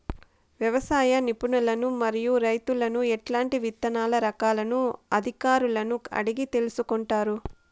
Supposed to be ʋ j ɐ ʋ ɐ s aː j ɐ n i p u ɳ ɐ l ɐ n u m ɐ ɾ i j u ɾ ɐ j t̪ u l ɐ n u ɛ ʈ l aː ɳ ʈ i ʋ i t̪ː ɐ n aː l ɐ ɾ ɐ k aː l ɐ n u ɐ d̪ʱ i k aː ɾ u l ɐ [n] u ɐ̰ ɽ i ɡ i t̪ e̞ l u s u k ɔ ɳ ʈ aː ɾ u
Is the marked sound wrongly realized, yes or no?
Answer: no